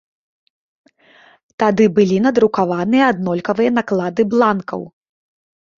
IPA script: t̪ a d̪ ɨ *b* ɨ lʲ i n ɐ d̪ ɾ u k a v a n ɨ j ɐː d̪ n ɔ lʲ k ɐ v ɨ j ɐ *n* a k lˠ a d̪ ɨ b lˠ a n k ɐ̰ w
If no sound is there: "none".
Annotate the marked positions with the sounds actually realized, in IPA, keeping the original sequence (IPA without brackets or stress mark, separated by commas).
b, n